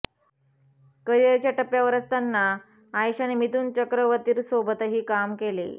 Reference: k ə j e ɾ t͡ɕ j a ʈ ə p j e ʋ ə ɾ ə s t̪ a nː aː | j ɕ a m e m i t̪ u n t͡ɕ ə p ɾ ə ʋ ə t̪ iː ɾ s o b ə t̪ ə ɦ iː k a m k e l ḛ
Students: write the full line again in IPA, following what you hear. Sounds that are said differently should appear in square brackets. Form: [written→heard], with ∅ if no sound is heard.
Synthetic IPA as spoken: k ə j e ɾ t͡ɕ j a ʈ ə p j [e→a] ʋ ə ɾ ə s t̪ a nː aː | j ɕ a [m→n] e m i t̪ [u→uː] n t͡ɕ ə [p→k] ɾ ə ʋ ə t̪ iː ɾ s o b ə t̪ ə ɦ iː k a m k e l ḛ

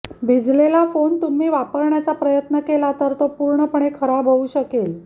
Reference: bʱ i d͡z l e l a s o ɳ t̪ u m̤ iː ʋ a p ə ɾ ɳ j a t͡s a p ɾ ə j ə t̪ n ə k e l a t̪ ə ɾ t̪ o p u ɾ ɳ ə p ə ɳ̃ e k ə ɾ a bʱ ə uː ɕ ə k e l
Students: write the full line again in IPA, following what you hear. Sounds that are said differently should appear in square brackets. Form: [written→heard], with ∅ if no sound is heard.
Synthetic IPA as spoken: bʱ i d͡z l e l a [s→f] o [ɳ→n] t̪ u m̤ iː ʋ a p ə ɾ ɳ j a t͡s a p ɾ ə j ə t̪ n ə k e l a t̪ ə ɾ t̪ o p u ɾ ɳ ə p ə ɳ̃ e [k→kʰ] ə ɾ a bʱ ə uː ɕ ə k e l

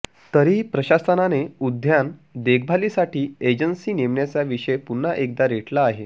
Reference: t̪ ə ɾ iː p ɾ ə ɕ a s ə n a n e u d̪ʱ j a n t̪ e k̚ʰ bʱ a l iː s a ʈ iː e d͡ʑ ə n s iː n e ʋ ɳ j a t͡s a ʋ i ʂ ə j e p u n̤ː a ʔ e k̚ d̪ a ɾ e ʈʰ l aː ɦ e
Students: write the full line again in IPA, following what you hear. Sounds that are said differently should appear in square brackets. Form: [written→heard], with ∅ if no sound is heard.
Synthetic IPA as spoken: t̪ ə ɾ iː p ɾ ə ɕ a s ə n a n e u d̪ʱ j a n [t̪→d̪] e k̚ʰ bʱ a l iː s a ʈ iː e d͡ʑ ə n s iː n e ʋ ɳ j a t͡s a ʋ i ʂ ə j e p u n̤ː a ʔ e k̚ d̪ a ɾ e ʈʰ l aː ɦ e

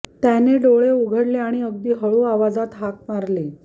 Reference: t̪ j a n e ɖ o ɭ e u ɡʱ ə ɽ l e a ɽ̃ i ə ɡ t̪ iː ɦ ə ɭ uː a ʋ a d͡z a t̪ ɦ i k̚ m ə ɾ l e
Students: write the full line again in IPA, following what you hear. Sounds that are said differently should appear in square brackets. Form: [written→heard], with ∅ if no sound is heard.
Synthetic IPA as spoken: t̪ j a n e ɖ o ɭ e u ɡʱ ə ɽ l e a ɽ̃ i ə ɡ [t̪→d̪] iː ɦ ə ɭ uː a ʋ a d͡z a t̪ ɦ [i→a] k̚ m [ə→a] ɾ l e

